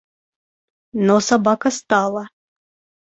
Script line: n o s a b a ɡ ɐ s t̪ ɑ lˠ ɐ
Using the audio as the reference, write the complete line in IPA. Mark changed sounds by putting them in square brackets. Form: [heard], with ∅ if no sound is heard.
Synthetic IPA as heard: n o s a b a [k] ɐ s t̪ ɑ lˠ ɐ